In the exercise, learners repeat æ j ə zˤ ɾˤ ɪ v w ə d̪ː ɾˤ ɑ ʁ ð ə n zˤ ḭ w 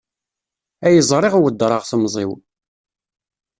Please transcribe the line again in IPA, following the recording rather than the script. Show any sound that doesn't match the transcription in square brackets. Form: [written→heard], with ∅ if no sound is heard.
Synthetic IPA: æ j ə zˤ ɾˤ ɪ [v→ʁ] w ə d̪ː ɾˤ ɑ ʁ [ð→θ] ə [n→m] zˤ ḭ w